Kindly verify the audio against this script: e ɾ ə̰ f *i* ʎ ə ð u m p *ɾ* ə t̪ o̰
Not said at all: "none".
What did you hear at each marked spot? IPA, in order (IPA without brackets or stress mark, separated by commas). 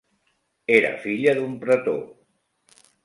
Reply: i, ɾ